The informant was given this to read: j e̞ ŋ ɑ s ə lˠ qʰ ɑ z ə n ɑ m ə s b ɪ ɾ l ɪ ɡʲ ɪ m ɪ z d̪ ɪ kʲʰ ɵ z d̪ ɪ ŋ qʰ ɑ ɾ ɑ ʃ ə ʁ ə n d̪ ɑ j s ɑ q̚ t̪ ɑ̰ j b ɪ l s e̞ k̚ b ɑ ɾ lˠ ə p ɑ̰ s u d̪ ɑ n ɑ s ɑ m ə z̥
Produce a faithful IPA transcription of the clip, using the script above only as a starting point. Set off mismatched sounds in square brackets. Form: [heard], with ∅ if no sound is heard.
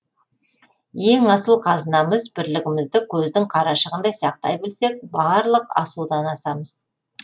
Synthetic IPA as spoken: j e̞ ŋ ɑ s ə lˠ qʰ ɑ z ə n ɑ m ə [z] b ɪ ɾ l ɪ ɡʲ ɪ m ɪ z d̪ ɪ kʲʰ ɵ z d̪ ɪ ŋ qʰ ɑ ɾ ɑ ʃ ə ʁ ə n d̪ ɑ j s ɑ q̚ t̪ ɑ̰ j b ɪ l s e̞ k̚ b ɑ ɾ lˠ ə [q] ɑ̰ s u d̪ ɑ n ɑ s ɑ m ə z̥